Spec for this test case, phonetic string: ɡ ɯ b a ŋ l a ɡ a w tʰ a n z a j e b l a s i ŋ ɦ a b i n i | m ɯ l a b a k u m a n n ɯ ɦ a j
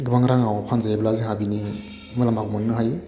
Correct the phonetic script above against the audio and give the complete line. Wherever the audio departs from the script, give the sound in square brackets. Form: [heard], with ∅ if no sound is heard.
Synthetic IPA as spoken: ɡ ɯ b a ŋ [ɾ] a [ŋ] a w [pʰ] a n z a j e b l a [z] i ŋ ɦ a b i n i | m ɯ l a [m] a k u m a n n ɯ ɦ a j